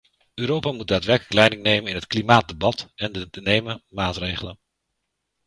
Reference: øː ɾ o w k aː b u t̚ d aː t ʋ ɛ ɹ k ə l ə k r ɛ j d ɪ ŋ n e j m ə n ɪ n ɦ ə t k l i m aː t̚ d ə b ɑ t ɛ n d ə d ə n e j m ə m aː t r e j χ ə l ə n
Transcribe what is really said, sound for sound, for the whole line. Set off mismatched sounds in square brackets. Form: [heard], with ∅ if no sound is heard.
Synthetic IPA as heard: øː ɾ o w [p] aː [m] u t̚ d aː t ʋ ɛ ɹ k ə l ə k [l] ɛ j d ɪ ŋ n e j m ə n ɪ n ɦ ə t k l i m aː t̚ d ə b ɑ t ɛ n d ə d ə n e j m ə m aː t r e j χ ə l ə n